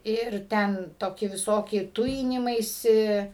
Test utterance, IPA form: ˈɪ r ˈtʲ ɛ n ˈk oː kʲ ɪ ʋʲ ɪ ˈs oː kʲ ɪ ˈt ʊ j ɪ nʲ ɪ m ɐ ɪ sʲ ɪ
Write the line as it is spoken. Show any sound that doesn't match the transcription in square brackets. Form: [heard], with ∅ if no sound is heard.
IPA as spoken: ˈɪ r ˈtʲ ɛ n [ˈt] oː kʲ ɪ ʋʲ ɪ ˈs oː kʲ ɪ ˈt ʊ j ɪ nʲ ɪ m ɐ ɪ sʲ ɪ